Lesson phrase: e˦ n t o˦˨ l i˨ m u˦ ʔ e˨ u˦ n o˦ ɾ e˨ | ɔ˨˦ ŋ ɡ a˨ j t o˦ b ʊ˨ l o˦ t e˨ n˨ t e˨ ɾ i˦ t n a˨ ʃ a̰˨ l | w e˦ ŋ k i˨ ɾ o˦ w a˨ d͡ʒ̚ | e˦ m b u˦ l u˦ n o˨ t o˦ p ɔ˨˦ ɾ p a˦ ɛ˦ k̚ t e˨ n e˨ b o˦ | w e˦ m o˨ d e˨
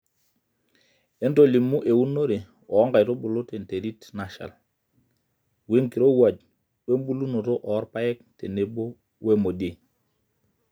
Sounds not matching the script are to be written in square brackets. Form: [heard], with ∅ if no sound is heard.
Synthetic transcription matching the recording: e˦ n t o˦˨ l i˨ m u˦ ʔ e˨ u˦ n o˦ ɾ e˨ | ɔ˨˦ ŋ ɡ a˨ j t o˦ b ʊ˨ l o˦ t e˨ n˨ t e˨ ɾ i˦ t n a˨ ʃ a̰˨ l | w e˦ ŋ k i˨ ɾ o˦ w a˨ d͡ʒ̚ | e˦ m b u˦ l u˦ n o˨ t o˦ [ʔ] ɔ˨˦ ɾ p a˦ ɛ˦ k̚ t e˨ n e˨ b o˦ | w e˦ m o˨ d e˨

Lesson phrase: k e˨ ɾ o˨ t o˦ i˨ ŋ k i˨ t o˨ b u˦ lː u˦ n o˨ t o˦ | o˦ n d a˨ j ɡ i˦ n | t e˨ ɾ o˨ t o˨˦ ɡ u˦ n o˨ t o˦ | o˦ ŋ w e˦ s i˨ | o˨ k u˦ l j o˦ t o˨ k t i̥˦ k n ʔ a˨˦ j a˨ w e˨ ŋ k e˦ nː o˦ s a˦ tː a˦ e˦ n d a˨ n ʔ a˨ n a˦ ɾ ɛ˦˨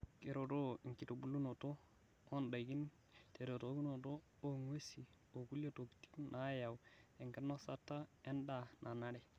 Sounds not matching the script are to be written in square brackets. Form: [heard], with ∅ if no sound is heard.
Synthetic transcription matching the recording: k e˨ ɾ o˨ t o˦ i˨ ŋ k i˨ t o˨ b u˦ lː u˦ n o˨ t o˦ | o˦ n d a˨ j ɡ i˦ n | t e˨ ɾ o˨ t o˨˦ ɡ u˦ n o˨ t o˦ | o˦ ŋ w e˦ s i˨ | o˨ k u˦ l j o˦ t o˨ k t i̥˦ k n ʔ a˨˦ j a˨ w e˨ ŋ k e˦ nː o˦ s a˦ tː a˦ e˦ n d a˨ n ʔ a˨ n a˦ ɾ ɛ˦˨

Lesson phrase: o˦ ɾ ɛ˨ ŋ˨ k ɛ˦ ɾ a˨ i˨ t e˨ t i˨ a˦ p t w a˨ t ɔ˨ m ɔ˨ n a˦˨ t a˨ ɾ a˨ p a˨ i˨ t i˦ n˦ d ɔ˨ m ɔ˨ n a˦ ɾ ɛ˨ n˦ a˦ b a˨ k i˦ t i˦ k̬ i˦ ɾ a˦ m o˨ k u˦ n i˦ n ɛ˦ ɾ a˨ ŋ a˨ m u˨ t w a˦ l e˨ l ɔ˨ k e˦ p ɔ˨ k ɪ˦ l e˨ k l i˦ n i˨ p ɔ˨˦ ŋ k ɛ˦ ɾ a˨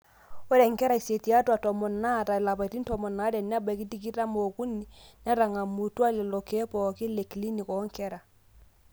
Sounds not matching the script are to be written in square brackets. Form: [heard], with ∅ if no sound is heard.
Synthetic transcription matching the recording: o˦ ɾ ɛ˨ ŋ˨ k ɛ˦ ɾ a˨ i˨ [s] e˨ t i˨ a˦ [∅] t w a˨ t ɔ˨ m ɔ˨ n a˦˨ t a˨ [l] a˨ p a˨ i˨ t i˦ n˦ [t] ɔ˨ m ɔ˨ n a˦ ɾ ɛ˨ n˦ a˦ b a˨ k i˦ t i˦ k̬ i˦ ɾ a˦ m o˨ k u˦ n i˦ n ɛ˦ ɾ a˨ ŋ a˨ m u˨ t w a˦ l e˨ l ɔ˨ k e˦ p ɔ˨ k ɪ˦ l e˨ k l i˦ n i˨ [k] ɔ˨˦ ŋ k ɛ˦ ɾ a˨

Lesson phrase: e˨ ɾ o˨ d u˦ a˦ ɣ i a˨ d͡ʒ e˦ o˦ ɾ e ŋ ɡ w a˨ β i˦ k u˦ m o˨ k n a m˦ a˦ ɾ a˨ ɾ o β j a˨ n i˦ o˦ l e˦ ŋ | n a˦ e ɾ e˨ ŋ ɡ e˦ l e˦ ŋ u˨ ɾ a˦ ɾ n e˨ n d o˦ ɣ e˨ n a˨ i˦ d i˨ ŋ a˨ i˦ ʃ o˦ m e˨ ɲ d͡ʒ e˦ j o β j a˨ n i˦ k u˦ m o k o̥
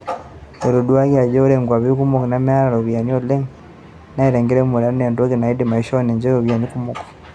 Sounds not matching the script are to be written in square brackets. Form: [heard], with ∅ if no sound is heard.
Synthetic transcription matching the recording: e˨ ɾ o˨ d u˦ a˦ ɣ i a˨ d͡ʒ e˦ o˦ ɾ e ŋ ɡ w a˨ β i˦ k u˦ m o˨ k n a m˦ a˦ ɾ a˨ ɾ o β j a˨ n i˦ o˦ l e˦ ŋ | n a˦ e ɾ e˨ ŋ ɡ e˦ [ɾ] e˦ [m] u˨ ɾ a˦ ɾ n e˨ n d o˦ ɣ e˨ n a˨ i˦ d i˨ [m] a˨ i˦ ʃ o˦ [n] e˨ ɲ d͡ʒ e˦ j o β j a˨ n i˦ k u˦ m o k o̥

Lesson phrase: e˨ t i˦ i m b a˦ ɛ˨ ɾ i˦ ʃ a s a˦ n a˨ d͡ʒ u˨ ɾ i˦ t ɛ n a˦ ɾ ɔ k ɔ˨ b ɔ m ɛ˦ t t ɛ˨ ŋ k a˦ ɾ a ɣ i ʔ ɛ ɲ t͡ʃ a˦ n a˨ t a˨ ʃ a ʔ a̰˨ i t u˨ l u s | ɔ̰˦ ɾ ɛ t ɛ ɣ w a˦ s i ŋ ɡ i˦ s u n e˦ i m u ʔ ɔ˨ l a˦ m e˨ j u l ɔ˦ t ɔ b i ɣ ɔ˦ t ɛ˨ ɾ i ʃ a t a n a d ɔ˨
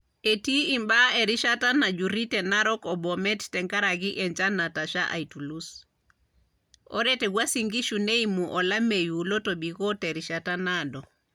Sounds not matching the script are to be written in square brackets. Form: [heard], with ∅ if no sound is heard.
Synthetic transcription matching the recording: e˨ t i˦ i m b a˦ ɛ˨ ɾ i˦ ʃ a [t] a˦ n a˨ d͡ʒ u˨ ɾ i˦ t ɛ n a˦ ɾ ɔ k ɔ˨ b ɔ m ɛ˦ t t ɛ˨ ŋ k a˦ ɾ a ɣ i ʔ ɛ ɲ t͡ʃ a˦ n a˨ t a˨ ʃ a ʔ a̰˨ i t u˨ l u s | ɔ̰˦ ɾ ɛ t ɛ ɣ w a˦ s i ŋ ɡ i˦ [ʃ] u n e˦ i m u ʔ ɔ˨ l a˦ m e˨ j u l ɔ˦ t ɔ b i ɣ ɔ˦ t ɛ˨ ɾ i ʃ a t a n a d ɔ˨

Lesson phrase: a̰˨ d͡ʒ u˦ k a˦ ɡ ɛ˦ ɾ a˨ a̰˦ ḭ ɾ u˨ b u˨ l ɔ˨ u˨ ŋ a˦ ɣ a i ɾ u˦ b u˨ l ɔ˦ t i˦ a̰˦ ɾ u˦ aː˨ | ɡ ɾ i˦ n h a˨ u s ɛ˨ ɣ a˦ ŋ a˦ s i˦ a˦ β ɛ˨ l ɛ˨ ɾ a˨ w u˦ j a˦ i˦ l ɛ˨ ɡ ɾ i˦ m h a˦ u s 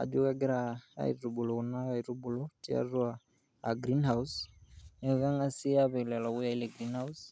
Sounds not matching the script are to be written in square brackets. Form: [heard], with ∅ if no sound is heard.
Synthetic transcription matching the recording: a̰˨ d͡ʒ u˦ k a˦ ɡ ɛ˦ ɾ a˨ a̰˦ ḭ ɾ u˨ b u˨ l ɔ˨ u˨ [n] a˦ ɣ a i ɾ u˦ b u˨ l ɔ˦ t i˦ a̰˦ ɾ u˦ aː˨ | ɡ ɾ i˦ n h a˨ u s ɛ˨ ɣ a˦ ŋ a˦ s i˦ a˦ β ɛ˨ l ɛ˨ [l] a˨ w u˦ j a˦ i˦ l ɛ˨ ɡ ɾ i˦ [n] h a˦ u s

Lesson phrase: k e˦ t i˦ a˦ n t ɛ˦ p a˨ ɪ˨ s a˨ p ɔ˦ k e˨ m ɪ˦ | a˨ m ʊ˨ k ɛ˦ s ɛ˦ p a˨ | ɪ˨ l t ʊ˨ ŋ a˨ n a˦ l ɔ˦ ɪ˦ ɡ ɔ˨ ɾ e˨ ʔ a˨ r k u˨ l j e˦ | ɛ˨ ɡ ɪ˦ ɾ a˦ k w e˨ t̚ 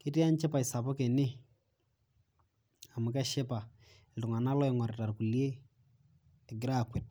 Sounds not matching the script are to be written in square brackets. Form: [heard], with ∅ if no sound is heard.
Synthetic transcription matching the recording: k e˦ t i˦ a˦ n [t͡ʃ] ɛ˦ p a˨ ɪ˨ s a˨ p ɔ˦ k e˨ [n] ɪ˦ | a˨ m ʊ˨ k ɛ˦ [ʃ] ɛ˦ p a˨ | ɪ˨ l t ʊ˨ ŋ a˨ n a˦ l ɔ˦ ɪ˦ [ŋ] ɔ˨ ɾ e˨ [t] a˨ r k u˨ l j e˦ | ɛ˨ ɡ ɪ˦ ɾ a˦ k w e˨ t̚

